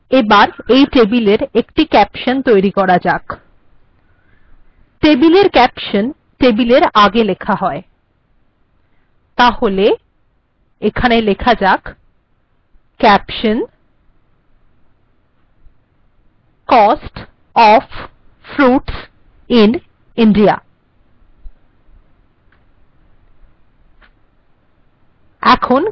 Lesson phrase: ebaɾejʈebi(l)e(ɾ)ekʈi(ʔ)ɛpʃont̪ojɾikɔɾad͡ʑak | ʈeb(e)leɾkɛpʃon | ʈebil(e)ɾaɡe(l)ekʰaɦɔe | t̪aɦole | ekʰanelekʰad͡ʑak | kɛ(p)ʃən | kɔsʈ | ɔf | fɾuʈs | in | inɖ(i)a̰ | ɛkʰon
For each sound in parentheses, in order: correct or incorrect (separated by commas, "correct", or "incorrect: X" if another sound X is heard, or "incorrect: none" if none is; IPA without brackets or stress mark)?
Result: correct, correct, incorrect: k, incorrect: i, correct, correct, correct, correct